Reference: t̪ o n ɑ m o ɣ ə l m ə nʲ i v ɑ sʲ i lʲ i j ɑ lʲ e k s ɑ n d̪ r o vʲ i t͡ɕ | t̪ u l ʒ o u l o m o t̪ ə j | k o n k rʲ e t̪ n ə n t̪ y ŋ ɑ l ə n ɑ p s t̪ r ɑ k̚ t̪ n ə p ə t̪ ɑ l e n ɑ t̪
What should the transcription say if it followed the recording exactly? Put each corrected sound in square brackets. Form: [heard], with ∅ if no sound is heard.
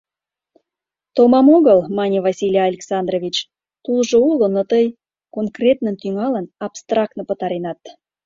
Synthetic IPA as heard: t̪ o [m] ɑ m o ɣ ə l m [ɑ] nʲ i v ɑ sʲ i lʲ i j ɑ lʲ e k s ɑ n d̪ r o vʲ i t͡ɕ | t̪ u l ʒ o u l o [n] o t̪ ə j | k o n k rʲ e t̪ n ə n t̪ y ŋ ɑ l ə n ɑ p s t̪ r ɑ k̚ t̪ n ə p ə t̪ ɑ [ɾ] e n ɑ t̪

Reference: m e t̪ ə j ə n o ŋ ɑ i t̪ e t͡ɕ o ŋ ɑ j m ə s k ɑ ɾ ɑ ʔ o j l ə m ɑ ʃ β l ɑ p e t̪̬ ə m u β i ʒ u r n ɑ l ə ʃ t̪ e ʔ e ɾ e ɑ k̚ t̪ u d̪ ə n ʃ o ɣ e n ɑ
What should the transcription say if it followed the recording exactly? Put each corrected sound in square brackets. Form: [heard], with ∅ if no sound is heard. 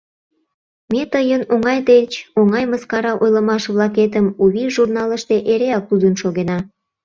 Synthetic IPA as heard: m e t̪ ə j ə n o ŋ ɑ [j] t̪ e t͡ɕ o ŋ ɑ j m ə s k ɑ ɾ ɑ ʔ o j l ə m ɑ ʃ β l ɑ [k] e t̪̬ ə m u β i ʒ u r n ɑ l ə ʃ t̪ e ʔ e ɾ e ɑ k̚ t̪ u d̪ ə n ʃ o ɣ e n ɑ

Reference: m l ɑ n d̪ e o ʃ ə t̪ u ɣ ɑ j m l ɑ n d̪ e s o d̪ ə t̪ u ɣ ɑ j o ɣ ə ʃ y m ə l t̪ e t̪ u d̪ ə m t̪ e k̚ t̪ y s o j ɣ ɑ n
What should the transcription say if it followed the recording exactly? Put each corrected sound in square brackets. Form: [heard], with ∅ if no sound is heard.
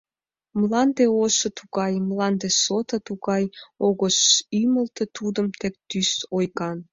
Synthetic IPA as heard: m l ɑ n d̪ e o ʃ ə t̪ u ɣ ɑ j m l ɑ n d̪ e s o [t̪] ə t̪ u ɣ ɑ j o ɣ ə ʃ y m ə l t̪ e t̪ u d̪ ə m t̪ e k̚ t̪ y s o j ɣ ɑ n

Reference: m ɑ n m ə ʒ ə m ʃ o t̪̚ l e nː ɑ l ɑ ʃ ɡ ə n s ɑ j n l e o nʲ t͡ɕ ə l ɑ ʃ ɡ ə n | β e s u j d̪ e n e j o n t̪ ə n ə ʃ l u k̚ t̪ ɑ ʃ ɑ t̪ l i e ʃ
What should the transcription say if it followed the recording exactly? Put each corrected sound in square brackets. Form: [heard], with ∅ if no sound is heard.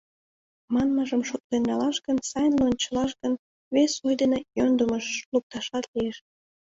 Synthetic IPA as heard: m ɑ n m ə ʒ ə m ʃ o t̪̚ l e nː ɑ l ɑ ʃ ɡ ə n s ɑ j n l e o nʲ t͡ɕ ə l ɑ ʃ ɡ ə n | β e s u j d̪ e n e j o n [d̪] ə [m] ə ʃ l u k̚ t̪ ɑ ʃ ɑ t̪ l i e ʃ

